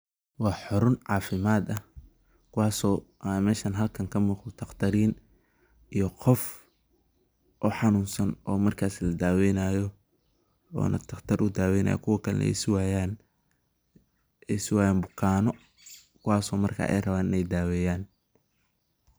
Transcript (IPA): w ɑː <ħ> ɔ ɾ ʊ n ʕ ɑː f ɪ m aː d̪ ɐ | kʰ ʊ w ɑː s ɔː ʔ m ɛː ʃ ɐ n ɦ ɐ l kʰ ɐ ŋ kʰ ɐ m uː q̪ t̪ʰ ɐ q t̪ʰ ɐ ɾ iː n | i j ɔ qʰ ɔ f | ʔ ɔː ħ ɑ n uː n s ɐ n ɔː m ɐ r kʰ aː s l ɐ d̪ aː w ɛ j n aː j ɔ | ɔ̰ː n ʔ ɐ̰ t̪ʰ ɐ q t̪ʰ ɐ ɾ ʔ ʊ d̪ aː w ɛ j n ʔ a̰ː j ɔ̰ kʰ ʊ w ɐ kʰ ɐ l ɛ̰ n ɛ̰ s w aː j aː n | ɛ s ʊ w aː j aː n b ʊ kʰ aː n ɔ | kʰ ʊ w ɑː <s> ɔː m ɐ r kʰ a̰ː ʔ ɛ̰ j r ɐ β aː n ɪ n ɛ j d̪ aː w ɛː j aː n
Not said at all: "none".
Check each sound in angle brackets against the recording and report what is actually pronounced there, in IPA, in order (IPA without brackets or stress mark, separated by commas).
ħ, s